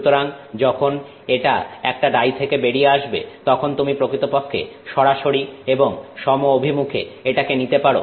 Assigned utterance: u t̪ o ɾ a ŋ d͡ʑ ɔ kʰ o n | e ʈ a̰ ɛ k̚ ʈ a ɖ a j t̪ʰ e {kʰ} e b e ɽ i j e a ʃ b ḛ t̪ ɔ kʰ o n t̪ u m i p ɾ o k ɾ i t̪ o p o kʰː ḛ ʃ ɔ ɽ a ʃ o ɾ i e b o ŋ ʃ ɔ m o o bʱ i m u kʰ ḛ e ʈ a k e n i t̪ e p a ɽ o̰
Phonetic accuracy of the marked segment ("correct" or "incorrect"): incorrect